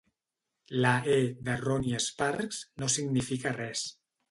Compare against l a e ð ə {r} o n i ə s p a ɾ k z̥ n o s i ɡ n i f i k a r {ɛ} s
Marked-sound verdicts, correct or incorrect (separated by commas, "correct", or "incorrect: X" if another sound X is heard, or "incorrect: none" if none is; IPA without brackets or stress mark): correct, correct